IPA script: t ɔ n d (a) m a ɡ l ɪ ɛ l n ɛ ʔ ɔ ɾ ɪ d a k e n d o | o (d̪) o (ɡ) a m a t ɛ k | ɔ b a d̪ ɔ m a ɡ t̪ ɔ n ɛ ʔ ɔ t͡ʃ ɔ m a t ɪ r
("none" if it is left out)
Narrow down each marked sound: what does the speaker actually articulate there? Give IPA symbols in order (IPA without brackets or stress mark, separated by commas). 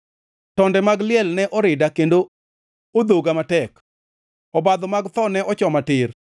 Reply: ɛ, d̪, ɡ